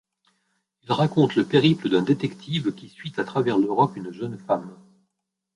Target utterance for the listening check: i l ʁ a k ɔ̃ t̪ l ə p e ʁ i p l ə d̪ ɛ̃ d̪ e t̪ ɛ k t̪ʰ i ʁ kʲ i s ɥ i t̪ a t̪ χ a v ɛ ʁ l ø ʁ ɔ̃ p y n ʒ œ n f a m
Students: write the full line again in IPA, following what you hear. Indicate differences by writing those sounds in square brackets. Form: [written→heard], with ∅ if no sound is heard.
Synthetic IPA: i l ʁ a k ɔ̃ t̪ l ə p e ʁ i p l ə d̪ ɛ̃ d̪ e t̪ ɛ k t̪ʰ i [ʁ→v] kʲ i s ɥ i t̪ a t̪ χ a v ɛ ʁ l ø ʁ [ɔ̃→ɔ] p y n ʒ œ n f a m

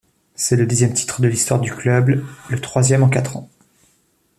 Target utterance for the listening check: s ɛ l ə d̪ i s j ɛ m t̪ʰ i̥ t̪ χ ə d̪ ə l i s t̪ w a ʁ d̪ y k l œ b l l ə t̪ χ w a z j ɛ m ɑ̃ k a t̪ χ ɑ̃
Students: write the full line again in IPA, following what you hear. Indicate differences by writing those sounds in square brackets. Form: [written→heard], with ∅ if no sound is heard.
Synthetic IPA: s ɛ l ə d̪ i [s→z] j ɛ m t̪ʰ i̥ t̪ χ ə d̪ ə l i s t̪ w a ʁ d̪ y k l œ b l l ə t̪ χ w a z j ɛ m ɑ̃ k a t̪ χ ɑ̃

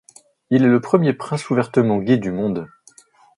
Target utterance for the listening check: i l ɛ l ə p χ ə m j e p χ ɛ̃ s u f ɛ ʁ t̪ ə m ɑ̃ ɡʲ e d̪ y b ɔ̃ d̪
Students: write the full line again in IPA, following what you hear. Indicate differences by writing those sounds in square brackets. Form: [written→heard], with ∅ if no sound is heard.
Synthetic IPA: i l ɛ l ə p χ ə m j e p χ ɛ̃ s u [f→v] ɛ ʁ t̪ ə m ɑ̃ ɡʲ e d̪ y [b→m] ɔ̃ d̪

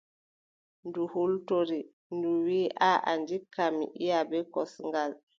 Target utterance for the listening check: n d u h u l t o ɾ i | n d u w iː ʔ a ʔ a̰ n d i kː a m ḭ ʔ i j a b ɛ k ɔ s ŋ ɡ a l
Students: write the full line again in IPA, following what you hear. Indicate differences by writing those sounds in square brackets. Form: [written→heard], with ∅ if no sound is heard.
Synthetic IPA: n d u h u l t o ɾ i | n d u w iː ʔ a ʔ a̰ n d i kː a m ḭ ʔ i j a b ɛ k ɔ s ŋ ɡ a l

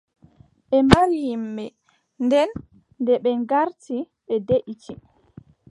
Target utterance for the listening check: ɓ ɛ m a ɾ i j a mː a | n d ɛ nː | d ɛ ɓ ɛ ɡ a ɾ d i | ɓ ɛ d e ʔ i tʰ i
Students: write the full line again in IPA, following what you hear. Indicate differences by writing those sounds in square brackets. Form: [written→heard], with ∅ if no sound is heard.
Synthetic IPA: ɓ ɛ m a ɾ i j [a→i] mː [a→ɛ] | n d ɛ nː | d ɛ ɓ ɛ ɡ a ɾ [d→t] i | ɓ ɛ d e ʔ i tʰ i

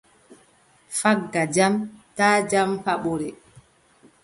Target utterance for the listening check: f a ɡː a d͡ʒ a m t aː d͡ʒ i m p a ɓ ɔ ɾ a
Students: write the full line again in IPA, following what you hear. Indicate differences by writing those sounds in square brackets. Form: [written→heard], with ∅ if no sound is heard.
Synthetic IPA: f a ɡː a d͡ʒ a m t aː d͡ʒ [i→a] m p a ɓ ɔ ɾ [a→ɛ]

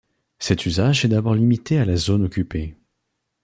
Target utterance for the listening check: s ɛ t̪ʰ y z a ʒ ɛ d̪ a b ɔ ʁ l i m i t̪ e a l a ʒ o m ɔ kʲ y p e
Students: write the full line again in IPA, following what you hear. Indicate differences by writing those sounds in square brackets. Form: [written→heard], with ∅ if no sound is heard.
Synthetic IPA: s ɛ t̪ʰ y z a ʒ ɛ d̪ a b ɔ ʁ l i m i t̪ e a l a [ʒ→z] o [m→n] ɔ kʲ y p e

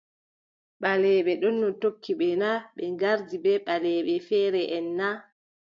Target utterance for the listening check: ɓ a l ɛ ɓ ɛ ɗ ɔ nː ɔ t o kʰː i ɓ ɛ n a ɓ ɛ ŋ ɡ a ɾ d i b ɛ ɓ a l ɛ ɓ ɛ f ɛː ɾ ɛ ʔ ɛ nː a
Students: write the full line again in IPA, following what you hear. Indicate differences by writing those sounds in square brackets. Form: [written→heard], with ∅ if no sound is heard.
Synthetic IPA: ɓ a l ɛ ɓ ɛ ɗ ɔ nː ɔ t o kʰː i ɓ ɛ n a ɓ ɛ ŋ ɡ a ɾ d i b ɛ ɓ a l ɛ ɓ ɛ f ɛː ɾ ɛ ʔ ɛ nː a

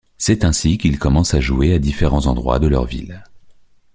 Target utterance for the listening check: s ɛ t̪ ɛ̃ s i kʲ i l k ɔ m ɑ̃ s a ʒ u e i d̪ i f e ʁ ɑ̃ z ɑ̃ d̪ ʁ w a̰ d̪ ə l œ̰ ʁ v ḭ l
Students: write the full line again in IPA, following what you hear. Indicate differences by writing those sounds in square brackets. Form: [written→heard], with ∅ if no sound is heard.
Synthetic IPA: s ɛ t̪ ɛ̃ s i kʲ i l k ɔ m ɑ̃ s a ʒ u e [i→a] d̪ i f e ʁ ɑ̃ z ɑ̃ d̪ ʁ w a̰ d̪ ə l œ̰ ʁ v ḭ l

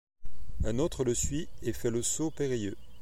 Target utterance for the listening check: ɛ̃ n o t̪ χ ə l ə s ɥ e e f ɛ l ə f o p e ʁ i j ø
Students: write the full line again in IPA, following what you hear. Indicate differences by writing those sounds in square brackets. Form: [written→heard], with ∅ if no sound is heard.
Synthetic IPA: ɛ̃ n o t̪ χ ə l ə s ɥ [e→i] e f ɛ l ə [f→s] o p e ʁ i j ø

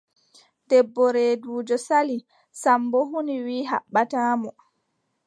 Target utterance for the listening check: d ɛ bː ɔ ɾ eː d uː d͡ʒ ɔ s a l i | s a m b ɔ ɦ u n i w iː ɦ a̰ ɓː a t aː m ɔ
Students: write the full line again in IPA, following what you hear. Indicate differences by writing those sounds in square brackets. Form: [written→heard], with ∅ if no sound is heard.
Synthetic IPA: d ɛ bː ɔ ɾ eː d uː d͡ʒ ɔ s a l i | s a m b ɔ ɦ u n i w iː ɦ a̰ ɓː a t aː m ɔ

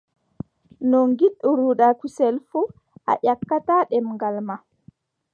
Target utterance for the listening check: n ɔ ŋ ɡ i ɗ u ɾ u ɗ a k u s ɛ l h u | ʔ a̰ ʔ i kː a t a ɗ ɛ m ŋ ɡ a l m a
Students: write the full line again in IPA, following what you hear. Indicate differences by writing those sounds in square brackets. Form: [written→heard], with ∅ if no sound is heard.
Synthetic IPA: n ɔ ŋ ɡ i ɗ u ɾ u ɗ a k u s ɛ l [h→f] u | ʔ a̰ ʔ [i→a] kː a t a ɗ ɛ m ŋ ɡ a l m a

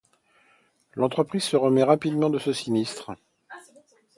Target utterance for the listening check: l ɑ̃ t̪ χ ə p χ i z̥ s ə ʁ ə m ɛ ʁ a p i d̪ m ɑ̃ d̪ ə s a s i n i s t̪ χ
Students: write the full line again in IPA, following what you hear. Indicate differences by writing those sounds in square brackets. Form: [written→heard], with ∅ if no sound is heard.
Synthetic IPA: l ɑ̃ t̪ χ ə p χ i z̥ s ə ʁ ə m ɛ ʁ a p i d̪ m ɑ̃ d̪ ə s [a→ə] s i n i s t̪ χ

